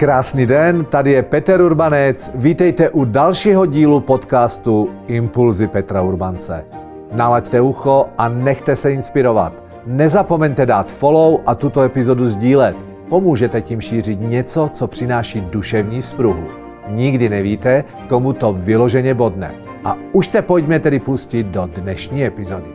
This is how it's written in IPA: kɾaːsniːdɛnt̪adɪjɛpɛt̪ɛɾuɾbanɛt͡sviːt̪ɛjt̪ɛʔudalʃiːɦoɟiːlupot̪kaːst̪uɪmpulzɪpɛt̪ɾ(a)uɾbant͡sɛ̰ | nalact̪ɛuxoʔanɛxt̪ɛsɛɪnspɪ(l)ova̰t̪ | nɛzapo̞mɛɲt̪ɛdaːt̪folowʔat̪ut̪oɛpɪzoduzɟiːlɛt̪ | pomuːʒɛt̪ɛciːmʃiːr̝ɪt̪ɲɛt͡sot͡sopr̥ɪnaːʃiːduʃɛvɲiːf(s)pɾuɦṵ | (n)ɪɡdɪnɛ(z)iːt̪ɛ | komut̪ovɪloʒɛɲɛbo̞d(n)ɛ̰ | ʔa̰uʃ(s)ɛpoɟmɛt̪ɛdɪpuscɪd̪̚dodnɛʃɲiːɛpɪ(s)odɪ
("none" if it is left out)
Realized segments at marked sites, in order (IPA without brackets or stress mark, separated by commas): a, ɾ, s, ɲ, v, n, s, z